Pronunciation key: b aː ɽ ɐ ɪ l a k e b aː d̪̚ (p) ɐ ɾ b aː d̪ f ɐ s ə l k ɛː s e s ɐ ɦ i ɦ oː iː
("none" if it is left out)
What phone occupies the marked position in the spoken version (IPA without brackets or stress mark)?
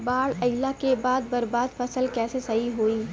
b